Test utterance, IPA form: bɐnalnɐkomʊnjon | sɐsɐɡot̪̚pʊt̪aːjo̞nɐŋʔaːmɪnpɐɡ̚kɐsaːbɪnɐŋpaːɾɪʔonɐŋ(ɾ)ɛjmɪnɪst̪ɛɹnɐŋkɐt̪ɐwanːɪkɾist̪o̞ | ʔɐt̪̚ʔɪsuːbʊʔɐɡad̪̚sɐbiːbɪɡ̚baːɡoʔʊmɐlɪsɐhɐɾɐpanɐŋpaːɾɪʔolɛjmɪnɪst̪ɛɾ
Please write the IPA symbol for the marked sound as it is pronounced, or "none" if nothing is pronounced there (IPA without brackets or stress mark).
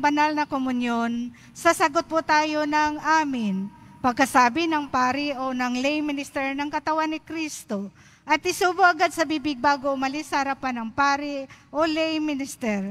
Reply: l